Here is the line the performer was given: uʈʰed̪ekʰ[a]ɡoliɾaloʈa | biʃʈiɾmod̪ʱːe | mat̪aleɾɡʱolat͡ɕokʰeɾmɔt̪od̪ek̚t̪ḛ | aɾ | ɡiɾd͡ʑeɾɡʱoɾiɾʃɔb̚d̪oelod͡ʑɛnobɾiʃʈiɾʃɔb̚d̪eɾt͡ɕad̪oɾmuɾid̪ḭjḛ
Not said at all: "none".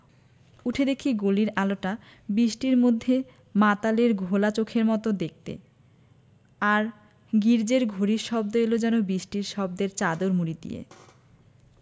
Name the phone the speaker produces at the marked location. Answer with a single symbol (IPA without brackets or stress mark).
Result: i